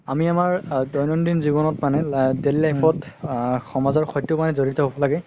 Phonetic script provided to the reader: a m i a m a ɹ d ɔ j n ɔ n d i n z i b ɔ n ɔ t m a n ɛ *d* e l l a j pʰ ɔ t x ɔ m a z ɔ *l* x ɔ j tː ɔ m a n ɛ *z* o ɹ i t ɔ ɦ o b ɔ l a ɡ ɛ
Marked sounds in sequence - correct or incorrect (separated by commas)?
correct, incorrect, correct